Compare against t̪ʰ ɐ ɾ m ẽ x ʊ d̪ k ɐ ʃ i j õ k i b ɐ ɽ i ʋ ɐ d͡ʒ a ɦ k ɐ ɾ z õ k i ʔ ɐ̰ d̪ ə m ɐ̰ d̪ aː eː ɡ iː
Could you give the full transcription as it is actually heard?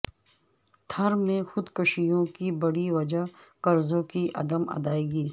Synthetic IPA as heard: t̪ʰ ɐ ɾ m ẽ x ʊ d̪ k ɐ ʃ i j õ k i b ɐ ɽ i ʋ ɐ d͡ʒ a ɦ k ɐ ɾ z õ k i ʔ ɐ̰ d̪ ə m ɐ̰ d̪ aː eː ɡ iː